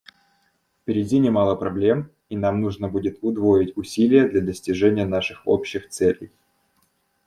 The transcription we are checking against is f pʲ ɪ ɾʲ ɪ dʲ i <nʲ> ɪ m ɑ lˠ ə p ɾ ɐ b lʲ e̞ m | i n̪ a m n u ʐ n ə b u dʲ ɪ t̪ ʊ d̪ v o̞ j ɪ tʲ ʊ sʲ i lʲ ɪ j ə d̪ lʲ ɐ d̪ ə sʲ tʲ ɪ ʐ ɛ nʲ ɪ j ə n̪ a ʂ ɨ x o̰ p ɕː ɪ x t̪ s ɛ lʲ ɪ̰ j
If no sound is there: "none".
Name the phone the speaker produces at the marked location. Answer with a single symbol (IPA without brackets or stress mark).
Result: nʲ